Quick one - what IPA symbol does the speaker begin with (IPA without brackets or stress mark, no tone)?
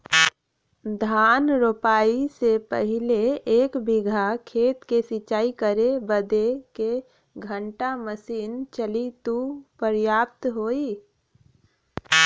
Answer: d̪ʱ